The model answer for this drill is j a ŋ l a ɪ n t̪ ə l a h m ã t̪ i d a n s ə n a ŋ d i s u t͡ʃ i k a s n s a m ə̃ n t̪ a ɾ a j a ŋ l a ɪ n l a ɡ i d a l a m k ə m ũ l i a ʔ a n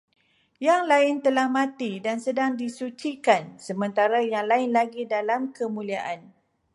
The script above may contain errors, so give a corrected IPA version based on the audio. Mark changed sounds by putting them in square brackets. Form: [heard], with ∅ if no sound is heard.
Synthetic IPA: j a ŋ l a ɪ n t̪ ə l a h m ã t̪ i d a n s ə [d] a ŋ d i s u t͡ʃ i k a [∅] n s [ə] m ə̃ n t̪ a ɾ a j a ŋ l a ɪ n l a ɡ i d a l a m k ə m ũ l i a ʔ a n